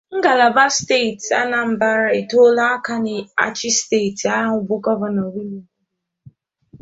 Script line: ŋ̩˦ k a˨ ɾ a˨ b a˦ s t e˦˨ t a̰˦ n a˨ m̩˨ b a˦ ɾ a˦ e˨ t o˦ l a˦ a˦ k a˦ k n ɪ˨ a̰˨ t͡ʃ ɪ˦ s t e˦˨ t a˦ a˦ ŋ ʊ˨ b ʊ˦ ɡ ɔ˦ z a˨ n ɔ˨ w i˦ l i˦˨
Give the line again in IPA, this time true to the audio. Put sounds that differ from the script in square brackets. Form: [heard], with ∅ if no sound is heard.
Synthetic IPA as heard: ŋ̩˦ [ɡ] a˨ [l] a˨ b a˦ s t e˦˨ t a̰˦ n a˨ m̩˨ b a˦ ɾ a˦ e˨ t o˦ l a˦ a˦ k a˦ [∅] n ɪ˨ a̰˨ t͡ʃ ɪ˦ s t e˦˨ t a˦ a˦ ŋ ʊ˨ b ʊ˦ ɡ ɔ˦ [v] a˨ n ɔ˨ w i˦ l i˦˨